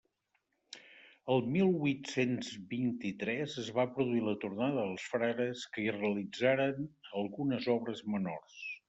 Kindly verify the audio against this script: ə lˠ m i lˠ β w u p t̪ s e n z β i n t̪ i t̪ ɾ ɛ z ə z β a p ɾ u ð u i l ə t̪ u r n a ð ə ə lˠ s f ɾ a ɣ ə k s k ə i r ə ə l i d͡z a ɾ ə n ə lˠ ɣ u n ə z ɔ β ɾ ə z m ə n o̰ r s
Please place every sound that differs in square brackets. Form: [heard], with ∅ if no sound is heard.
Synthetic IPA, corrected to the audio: ə lˠ m i lˠ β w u [∅] t̪ s e n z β i n t̪ i t̪ ɾ ɛ z ə z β a p ɾ u ð u i l ə t̪ u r n a ð ə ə lˠ s f ɾ a ɣ ə [∅] s k ə i r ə ə l i d͡z a ɾ ə n ə lˠ ɣ u n ə z ɔ β ɾ ə z m ə n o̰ r s